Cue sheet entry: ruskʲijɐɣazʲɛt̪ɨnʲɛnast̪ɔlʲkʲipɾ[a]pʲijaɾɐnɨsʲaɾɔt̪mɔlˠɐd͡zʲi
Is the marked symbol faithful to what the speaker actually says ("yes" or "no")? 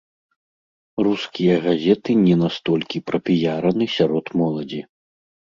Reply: no